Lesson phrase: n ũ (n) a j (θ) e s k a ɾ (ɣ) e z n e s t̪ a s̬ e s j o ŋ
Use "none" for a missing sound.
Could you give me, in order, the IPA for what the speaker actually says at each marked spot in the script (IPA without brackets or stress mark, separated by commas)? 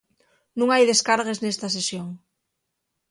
ŋ, ð, ɣ